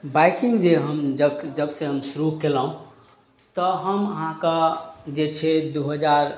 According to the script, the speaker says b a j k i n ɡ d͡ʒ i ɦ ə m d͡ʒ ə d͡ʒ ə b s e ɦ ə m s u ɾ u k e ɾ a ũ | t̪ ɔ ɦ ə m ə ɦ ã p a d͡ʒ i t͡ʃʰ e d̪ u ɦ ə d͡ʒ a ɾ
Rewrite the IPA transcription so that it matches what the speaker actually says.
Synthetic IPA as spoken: b a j k i ŋ ɡ d͡ʒ e ɦ ə m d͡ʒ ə d͡ʒ ə b s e ɦ ə m s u ɾ u k e l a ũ | t̪ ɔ ɦ ə m ə ɦ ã k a d͡ʒ e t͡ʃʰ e d̪ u ɦ ə d͡ʒ a ɾ